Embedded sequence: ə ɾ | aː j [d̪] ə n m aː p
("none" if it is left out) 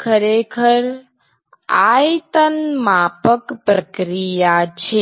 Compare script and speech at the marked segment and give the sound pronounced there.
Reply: t̪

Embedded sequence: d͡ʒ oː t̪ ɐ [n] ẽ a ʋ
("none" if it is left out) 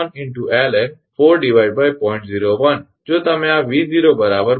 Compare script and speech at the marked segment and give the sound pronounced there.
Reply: m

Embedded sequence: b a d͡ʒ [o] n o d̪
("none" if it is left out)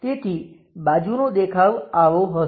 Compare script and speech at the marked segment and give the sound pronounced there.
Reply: u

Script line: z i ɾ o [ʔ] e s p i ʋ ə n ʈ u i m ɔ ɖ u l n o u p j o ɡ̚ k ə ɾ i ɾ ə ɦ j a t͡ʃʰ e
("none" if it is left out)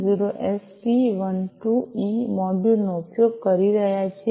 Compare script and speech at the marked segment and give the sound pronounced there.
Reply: ʔ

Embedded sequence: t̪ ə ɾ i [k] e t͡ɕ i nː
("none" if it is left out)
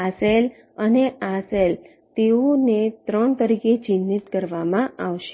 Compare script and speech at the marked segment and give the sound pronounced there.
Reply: k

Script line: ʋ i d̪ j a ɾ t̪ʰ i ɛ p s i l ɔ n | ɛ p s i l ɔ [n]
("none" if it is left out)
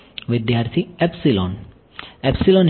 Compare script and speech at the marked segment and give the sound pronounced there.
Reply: n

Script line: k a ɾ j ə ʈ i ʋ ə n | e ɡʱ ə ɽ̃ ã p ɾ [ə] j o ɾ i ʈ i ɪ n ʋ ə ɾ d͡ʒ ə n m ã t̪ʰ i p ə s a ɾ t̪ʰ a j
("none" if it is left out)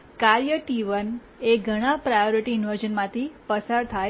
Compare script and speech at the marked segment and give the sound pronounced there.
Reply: a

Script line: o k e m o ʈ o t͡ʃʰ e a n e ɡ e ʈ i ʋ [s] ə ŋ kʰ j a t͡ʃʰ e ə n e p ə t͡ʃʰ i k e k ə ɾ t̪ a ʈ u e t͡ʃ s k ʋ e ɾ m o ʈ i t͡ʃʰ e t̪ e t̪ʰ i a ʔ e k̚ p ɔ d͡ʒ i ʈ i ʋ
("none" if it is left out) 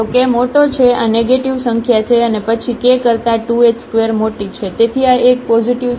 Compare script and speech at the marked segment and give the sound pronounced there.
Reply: s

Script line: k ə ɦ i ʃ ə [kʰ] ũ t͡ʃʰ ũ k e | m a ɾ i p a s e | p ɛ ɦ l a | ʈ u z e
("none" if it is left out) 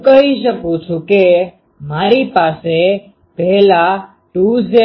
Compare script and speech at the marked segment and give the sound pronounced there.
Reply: k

